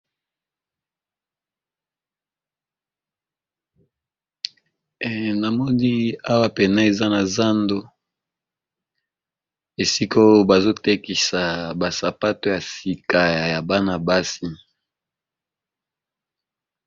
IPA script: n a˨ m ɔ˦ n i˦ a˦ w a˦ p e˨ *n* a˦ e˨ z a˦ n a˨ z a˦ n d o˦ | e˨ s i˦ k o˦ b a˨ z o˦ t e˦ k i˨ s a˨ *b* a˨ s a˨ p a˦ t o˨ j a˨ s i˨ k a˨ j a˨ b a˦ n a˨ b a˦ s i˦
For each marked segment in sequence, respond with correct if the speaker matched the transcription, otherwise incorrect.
correct, correct

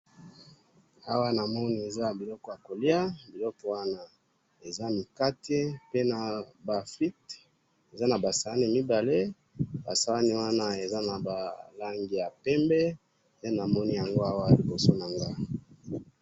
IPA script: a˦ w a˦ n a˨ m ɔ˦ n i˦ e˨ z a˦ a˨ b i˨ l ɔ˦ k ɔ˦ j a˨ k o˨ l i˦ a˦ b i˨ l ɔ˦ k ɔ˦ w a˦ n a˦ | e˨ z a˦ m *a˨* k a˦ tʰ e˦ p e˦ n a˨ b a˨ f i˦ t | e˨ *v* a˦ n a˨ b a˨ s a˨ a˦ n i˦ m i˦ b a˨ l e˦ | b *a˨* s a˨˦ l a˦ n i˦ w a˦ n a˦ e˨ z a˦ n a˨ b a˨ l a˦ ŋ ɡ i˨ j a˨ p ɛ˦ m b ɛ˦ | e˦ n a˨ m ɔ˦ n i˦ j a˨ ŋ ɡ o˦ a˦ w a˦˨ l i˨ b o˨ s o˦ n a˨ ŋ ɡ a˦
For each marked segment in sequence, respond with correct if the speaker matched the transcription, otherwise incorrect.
incorrect, incorrect, correct

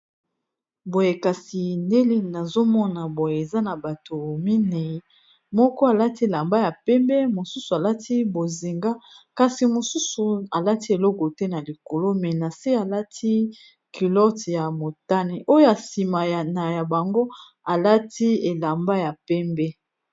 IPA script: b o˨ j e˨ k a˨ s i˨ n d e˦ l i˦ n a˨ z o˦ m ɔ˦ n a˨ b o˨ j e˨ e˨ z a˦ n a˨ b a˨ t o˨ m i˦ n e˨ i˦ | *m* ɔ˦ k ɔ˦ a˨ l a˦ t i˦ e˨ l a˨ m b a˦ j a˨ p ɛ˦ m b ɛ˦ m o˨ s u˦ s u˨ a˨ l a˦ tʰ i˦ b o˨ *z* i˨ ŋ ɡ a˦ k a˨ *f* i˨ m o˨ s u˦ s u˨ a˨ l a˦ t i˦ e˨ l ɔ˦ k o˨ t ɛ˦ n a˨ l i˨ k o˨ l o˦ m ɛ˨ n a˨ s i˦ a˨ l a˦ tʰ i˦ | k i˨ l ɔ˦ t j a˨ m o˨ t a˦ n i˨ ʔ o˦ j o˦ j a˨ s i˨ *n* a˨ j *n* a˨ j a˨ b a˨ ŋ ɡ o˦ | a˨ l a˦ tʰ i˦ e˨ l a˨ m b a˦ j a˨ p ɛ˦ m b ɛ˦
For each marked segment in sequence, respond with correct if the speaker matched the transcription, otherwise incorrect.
correct, correct, incorrect, incorrect, correct

